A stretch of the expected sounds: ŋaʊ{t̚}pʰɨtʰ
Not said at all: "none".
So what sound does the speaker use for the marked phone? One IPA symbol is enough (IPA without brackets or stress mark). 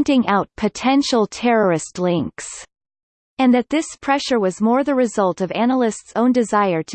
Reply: t̚